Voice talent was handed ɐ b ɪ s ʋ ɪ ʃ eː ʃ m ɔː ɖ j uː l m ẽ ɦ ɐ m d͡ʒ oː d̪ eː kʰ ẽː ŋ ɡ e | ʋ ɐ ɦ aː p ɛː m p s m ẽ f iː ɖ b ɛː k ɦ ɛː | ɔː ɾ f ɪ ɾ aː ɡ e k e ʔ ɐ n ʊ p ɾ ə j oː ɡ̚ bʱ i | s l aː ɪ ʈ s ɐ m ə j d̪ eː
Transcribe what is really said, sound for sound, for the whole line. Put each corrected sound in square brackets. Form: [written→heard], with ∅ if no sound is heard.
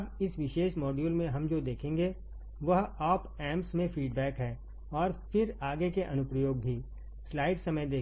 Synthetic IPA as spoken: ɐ b ɪ s ʋ ɪ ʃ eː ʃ m ɔː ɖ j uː l m ẽ ɦ ɐ m d͡ʒ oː d̪ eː kʰ ẽː ŋ ɡ e | ʋ ɐ ɦ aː p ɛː m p s m ẽ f iː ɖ b ɛː k ɦ ɛː | ɔː ɾ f ɪ ɾ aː ɡ e k e ʔ ɐ n ʊ p ɾ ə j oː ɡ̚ bʱ i | s l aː ɪ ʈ s ɐ m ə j d̪ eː